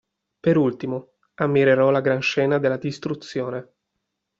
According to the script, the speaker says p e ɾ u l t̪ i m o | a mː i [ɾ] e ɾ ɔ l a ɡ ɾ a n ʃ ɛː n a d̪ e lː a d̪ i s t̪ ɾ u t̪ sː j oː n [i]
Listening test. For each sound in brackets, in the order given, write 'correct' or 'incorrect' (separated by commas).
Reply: correct, incorrect